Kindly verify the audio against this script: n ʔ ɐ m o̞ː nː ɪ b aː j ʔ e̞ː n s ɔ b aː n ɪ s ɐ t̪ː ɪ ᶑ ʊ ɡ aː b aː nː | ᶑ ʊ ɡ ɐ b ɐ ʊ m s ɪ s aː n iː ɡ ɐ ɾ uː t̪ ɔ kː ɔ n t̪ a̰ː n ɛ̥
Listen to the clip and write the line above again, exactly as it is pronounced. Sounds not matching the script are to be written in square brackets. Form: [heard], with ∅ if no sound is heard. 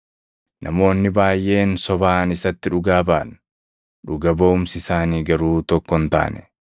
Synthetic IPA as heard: n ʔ ɐ m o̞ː nː ɪ b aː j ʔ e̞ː n s ɔ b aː n ɪ s ɐ t̪ː ɪ ᶑ ʊ ɡ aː b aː [n] | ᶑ ʊ ɡ ɐ b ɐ ʊ m s ɪ s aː n iː ɡ ɐ ɾ uː t̪ ɔ kː ɔ n t̪ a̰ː n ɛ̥